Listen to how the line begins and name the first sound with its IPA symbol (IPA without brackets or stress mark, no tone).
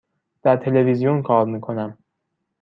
d̪̥